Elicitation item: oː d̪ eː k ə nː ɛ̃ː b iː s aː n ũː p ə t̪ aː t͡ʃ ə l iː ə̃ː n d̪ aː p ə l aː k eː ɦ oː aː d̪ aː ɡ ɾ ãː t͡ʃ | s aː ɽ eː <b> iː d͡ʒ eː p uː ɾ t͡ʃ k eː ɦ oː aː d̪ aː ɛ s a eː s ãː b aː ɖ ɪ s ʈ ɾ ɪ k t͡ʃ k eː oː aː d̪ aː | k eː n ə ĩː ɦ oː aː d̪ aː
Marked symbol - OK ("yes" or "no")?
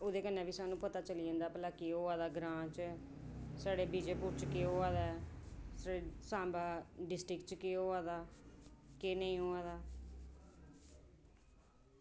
yes